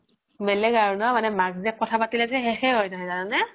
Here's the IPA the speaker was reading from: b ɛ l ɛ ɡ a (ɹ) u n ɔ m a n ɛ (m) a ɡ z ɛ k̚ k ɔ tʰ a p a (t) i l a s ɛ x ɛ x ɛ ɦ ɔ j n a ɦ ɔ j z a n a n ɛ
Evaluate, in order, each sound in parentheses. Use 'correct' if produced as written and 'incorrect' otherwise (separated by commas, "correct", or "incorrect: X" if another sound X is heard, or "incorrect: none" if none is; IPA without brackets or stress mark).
correct, correct, correct